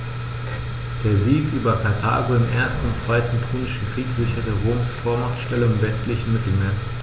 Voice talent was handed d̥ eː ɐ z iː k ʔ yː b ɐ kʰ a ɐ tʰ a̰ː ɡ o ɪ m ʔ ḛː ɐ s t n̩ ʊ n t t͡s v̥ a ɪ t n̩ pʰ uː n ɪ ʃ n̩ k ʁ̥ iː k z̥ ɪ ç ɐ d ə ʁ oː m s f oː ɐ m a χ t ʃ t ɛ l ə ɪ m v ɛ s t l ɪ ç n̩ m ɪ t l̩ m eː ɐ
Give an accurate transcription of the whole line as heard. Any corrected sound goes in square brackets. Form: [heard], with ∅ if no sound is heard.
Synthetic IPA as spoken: d̥ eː ɐ z iː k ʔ yː b ɐ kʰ a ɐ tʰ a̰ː ɡ o ɪ m ʔ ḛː ɐ s t n̩ ʊ n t t͡s v̥ a ɪ t n̩ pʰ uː n ɪ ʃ n̩ k ʁ̥ iː k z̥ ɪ ç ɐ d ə ʁ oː m s f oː ɐ m a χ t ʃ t ɛ l ə ɪ m v ɛ s t l ɪ ç n̩ m ɪ t l̩ m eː ɐ